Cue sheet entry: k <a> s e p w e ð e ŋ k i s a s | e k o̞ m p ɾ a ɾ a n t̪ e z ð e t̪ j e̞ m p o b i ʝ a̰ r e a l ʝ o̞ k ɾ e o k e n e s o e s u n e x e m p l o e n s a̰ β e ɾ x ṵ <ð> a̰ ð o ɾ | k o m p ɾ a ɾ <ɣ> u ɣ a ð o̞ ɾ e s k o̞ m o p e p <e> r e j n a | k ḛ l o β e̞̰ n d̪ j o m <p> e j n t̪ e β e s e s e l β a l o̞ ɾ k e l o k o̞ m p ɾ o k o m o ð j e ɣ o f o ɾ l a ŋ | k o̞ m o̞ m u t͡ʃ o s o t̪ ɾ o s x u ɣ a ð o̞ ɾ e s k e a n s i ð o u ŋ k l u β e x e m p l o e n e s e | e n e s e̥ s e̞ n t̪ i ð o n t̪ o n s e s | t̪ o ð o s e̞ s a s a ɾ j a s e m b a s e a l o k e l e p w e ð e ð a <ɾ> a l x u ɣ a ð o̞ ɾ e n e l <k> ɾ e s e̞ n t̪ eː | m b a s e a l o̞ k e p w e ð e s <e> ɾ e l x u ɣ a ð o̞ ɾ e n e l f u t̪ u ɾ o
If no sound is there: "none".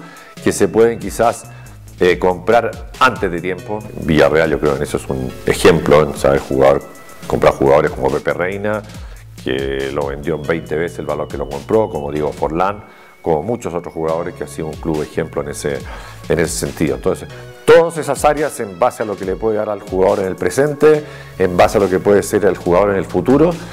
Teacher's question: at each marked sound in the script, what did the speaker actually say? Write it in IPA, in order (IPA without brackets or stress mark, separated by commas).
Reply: e, ɣ, x, e, b, ɾ, p, e